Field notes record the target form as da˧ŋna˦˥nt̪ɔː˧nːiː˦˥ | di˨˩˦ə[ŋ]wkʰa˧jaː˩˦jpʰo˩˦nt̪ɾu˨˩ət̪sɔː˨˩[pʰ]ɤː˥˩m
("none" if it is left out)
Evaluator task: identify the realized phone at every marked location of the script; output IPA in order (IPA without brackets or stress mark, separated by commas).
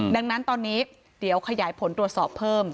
none, pʰ